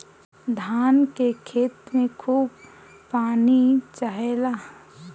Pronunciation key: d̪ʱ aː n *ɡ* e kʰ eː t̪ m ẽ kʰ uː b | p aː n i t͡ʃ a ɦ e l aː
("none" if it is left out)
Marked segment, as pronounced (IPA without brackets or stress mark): k